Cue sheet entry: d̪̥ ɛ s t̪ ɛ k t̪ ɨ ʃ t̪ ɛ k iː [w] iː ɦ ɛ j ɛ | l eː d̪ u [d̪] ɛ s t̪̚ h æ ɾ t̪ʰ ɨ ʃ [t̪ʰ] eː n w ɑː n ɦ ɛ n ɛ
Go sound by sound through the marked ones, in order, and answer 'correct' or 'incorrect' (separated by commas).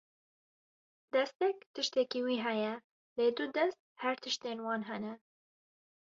correct, correct, incorrect